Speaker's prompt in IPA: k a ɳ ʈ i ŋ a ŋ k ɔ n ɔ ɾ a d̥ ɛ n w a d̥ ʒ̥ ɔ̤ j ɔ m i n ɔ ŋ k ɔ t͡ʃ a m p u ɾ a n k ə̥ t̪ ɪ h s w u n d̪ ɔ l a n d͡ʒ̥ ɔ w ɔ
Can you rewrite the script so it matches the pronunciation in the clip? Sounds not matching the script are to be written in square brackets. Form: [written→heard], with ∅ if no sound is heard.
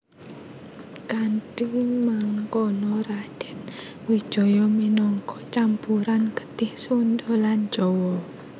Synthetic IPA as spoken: k a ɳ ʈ i [ŋ→m] a ŋ k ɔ n ɔ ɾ a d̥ ɛ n w [a→i] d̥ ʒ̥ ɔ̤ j ɔ m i n ɔ ŋ k ɔ t͡ʃ a m p u ɾ a n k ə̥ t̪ ɪ h s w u n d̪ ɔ l a n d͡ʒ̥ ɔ w ɔ